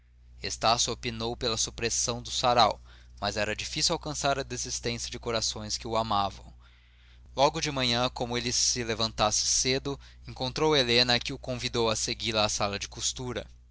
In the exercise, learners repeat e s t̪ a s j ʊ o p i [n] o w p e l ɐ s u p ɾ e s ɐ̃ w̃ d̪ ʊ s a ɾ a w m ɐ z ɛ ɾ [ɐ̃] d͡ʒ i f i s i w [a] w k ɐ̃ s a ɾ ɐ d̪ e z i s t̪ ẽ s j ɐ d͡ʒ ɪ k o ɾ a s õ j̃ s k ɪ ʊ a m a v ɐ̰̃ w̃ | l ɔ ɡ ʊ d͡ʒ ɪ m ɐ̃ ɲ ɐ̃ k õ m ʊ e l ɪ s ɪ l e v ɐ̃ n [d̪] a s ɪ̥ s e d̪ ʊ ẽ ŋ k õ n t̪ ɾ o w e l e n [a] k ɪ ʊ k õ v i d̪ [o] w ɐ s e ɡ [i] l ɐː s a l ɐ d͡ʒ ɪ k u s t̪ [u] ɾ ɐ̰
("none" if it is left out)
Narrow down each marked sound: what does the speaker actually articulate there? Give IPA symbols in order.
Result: n, ɐ, a, t̪, ɐ, o, i, u

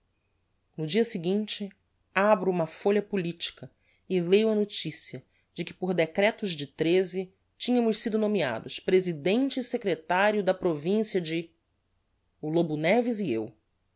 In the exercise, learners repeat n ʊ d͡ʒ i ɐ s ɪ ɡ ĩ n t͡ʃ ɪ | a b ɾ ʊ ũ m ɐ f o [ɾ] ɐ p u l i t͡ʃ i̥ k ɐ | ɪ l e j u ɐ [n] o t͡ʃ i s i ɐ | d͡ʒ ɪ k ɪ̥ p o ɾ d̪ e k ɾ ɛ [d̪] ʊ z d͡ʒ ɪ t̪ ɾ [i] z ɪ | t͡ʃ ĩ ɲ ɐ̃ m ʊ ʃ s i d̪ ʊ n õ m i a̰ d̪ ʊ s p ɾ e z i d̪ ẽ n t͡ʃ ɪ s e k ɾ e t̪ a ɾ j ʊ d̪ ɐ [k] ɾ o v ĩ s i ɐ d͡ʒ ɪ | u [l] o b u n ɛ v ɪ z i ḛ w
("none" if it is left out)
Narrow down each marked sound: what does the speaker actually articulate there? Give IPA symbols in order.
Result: ʎ, n, t̪, e, p, l

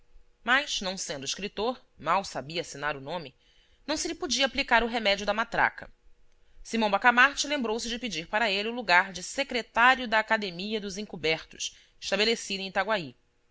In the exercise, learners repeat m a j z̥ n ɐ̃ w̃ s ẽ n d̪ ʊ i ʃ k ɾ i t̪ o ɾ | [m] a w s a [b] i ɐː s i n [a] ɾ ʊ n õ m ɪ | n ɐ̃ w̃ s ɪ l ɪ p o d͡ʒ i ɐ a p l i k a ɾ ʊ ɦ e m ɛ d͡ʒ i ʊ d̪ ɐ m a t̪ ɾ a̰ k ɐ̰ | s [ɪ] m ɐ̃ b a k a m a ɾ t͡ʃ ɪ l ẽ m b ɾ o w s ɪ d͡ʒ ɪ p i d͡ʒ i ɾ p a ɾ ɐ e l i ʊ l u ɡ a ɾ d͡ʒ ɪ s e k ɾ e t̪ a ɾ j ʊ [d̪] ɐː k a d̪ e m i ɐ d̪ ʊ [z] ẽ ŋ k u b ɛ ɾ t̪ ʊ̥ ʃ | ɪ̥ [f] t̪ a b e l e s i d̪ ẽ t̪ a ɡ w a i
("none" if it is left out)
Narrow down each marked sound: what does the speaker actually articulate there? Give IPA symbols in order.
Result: m, b, a, i, d̪, z, ʃ

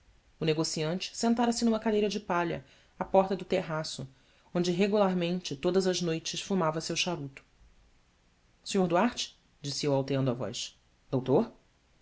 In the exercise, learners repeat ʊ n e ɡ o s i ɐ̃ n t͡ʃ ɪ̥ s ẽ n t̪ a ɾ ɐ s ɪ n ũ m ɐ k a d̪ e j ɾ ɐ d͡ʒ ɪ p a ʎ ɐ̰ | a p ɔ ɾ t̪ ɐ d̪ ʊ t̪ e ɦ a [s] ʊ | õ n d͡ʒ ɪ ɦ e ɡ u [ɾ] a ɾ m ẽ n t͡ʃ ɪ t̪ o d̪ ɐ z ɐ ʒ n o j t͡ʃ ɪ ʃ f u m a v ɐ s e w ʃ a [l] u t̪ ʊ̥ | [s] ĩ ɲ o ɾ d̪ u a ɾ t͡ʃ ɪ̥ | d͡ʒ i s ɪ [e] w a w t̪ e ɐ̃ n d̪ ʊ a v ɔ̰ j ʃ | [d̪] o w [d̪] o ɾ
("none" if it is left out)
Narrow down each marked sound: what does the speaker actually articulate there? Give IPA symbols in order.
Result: s, l, ɾ, s, e, d̪, t̪

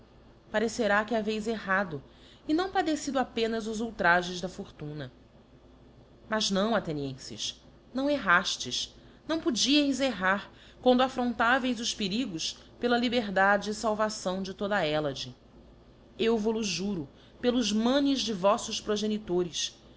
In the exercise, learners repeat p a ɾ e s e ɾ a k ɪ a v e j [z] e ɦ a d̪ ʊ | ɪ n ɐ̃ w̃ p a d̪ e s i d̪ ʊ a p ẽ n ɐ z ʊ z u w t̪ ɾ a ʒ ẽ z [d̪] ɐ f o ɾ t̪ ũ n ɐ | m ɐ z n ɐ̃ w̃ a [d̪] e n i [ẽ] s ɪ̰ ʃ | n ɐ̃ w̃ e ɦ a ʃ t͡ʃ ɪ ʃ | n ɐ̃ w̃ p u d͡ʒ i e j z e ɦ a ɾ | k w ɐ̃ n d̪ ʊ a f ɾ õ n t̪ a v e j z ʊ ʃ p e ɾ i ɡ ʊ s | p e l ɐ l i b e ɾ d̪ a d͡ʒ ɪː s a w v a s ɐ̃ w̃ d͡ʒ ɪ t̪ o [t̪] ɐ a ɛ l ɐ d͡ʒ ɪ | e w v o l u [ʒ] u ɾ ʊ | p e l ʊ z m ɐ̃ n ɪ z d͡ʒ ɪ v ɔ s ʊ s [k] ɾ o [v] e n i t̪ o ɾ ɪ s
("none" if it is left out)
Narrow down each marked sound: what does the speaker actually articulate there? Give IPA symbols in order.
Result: z, d̪, t̪, ẽ, d̪, ʒ, p, ʒ

